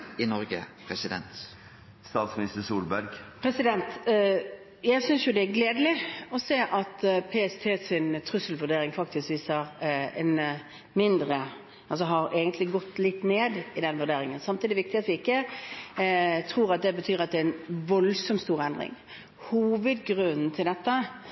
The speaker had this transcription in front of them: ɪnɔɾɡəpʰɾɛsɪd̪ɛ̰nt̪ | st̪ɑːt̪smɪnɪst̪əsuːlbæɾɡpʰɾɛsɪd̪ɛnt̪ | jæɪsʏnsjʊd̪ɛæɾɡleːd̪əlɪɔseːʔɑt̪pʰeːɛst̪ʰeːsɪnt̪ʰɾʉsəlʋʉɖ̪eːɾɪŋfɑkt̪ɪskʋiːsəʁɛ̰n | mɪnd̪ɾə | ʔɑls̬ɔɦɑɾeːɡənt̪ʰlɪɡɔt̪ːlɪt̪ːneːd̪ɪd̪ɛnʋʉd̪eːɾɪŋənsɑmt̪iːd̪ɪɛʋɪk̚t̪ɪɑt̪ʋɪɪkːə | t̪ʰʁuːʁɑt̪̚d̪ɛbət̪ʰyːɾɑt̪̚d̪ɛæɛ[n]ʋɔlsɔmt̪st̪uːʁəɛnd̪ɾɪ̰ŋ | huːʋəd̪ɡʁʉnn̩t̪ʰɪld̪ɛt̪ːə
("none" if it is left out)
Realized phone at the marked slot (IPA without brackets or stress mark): n